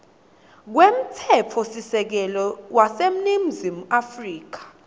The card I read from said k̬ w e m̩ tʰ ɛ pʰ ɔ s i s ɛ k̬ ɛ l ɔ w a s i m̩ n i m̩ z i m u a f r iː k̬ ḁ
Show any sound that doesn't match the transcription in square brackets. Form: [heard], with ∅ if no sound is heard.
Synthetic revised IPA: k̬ w e m̩ tʰ ɛ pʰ ɔ s i s ɛ k̬ ɛ l ɔ w a s [e] m̩ n i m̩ z i m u a f r iː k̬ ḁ